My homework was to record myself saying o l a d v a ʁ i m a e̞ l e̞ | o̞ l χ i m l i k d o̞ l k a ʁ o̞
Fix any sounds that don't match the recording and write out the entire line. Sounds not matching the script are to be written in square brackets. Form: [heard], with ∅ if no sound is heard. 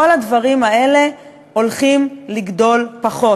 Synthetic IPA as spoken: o l a d v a ʁ i m a e̞ l e̞ | o̞ l χ i m l i [ɡ] d o̞ l [p] a [χ] o̞

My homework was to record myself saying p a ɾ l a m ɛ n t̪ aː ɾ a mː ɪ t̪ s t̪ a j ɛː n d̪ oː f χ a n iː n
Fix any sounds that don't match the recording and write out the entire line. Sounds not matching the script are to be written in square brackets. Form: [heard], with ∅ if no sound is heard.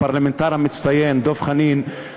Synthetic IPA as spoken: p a ɾ l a m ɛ n t̪ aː ɾ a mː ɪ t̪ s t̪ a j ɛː n d̪ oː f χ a n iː n

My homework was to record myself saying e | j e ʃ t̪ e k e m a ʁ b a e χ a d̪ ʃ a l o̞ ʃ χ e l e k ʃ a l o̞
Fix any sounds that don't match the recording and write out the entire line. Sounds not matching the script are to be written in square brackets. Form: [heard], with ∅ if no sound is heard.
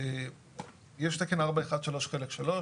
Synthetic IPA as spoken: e | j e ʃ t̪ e k e [n] a ʁ b a e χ a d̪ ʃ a l o̞ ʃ χ e l e k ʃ a l o̞

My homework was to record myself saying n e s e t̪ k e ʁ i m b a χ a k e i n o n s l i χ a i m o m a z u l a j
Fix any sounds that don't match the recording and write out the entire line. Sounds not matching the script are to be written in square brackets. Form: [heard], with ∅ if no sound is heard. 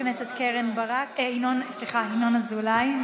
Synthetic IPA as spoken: n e s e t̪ k e ʁ [e] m b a [ʁ] a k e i n o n s l i χ a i [n] o [n] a z u l a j

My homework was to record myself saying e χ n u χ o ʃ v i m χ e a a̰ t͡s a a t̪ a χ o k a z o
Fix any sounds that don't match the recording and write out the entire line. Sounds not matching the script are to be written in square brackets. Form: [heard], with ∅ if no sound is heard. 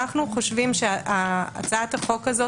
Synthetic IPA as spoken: [a] χ n u χ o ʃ v i m [ʃ] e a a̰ t͡s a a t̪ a χ o k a z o

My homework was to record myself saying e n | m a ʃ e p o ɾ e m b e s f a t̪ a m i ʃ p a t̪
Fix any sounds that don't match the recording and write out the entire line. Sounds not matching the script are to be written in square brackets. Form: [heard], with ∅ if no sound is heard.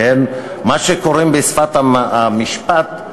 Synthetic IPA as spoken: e n | m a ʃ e [k] o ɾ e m b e s f a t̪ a m i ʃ p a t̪

